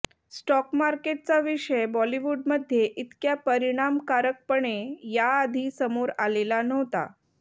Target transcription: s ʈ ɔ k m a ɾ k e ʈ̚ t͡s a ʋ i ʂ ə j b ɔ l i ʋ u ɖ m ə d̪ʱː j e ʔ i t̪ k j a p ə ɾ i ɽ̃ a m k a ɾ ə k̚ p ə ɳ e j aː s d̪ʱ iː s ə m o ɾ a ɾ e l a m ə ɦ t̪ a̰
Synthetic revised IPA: s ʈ ɔ k m a ɾ k e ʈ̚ t͡s a ʋ i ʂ ə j b ɔ l i ʋ u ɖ m ə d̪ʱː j e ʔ i t̪ k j a p ə ɾ i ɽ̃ a m k a ɾ ə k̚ p ə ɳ e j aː d̪ʱ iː s ə m o ɾ a l e l a n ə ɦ t̪ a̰